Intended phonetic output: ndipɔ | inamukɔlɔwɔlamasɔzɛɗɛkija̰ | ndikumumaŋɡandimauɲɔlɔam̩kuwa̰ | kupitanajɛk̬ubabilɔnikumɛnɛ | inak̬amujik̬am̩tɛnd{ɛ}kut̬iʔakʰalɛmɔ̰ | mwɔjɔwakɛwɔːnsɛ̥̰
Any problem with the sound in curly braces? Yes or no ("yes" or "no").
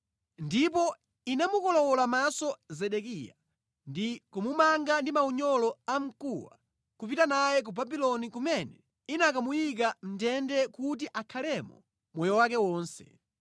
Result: no